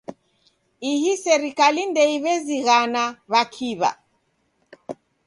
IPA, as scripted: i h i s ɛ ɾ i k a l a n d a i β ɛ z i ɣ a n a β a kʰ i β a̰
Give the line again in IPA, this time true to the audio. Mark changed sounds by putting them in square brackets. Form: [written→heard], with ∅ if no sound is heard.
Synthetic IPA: i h i s ɛ ɾ i k a l [a→i] n d [a→ɛ] i β ɛ z i ɣ a n a β a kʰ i β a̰